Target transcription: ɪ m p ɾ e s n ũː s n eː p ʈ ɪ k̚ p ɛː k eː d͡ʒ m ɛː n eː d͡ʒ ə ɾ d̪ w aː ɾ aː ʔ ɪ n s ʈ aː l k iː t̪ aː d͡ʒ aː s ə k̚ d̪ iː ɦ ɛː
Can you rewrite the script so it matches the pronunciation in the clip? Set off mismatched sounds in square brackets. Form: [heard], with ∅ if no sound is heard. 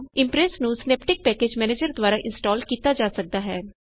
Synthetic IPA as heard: ɪ m p ɾ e s n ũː s n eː p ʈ ɪ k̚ p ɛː k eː d͡ʒ m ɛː n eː d͡ʒ ə ɾ d̪ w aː ɾ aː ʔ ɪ n s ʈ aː l k iː t̪ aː d͡ʒ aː s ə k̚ d̪ [aː] ɦ ɛː